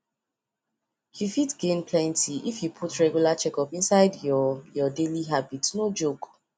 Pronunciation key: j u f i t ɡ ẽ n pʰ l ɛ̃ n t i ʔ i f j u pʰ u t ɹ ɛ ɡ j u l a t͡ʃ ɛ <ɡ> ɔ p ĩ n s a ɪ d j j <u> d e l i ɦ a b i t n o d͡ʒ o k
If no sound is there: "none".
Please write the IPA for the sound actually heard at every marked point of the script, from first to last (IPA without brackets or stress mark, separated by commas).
k, ɔ